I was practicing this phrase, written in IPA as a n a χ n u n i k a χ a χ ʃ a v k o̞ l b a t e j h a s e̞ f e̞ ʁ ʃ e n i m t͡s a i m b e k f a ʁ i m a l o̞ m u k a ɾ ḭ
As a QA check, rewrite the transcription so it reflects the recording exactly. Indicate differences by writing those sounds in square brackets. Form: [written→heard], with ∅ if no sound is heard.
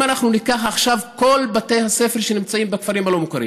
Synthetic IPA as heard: a n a χ n u n i k a χ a χ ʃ a v k o̞ l b a t e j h a s e̞ f e̞ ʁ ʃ e n i m t͡s a i m b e k f a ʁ i m a l o̞ m u k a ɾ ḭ